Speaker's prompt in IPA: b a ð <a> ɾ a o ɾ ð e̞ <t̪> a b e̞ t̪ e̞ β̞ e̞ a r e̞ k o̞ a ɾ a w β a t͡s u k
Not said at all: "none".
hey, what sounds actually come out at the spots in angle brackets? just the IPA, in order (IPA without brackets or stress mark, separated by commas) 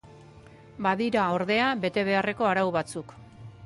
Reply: i, none